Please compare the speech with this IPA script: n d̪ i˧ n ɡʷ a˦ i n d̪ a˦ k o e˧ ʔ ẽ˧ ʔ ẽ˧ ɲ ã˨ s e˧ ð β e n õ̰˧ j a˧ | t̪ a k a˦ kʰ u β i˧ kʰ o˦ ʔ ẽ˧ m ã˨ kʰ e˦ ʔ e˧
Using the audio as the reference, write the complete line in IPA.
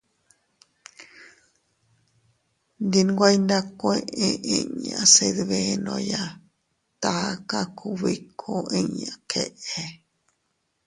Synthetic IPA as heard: n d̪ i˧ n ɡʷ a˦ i n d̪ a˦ k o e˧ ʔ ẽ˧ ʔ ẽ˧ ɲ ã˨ s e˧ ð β e n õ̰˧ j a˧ | t̪ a k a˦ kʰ u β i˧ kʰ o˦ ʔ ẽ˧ ɲ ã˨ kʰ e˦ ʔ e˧